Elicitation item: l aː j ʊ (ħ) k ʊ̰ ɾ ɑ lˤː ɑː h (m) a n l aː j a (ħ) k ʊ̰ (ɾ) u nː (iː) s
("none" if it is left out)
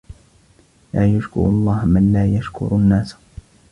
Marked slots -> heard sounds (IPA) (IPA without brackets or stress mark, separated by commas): ʃ, m, ʃ, ɾ, aː